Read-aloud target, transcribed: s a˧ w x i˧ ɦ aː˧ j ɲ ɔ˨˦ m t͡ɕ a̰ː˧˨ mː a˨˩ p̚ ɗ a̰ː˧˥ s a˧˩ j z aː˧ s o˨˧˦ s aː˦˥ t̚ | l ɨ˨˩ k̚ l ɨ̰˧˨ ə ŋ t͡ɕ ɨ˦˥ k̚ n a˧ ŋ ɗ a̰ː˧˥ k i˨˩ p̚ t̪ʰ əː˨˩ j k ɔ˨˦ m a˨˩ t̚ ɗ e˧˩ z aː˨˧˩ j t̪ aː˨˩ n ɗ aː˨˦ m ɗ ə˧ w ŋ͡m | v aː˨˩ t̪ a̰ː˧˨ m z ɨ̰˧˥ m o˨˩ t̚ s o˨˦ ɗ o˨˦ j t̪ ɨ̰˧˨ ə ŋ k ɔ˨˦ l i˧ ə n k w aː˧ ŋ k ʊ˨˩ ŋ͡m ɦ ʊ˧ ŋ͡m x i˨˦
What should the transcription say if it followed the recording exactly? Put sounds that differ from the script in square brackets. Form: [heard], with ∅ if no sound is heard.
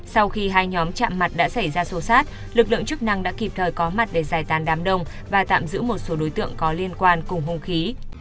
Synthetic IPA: s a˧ w x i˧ ɦ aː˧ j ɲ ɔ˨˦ m t͡ɕ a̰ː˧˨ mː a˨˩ [t̚] ɗ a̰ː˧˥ s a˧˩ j z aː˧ s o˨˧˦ s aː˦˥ t̚ | l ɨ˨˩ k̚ l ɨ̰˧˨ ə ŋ t͡ɕ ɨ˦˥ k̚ n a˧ ŋ ɗ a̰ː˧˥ k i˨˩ p̚ t̪ʰ əː˨˩ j k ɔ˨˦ m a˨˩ t̚ ɗ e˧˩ z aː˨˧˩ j t̪ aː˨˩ n ɗ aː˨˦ m ɗ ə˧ w ŋ͡m | v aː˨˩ t̪ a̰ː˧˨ m z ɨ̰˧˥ m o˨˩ t̚ s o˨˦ ɗ o˨˦ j t̪ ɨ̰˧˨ ə ŋ k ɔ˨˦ l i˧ ə n k w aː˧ [n] k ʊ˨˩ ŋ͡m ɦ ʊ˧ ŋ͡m x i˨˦